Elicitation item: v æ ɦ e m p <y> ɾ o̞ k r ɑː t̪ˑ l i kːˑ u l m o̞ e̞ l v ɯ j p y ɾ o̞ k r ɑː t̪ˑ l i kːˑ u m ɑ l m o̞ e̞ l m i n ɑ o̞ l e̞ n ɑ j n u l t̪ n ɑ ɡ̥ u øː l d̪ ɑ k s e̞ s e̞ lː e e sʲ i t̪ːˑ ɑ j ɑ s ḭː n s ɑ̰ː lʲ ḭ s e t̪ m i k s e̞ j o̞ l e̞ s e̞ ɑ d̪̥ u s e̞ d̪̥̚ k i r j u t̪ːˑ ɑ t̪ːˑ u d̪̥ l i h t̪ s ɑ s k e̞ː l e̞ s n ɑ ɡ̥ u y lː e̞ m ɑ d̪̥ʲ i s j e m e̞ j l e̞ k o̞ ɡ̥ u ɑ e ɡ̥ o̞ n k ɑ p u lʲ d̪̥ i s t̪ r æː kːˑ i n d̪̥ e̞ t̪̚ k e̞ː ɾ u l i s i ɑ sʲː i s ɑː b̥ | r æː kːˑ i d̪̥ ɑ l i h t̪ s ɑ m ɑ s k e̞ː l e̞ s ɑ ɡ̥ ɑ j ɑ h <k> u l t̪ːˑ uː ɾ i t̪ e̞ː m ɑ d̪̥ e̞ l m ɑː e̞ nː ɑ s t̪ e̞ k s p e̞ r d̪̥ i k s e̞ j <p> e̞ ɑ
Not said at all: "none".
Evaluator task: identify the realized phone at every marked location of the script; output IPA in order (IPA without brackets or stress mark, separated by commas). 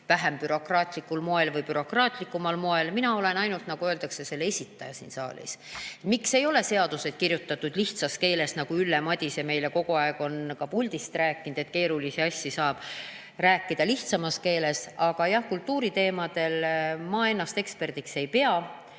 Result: y, k, p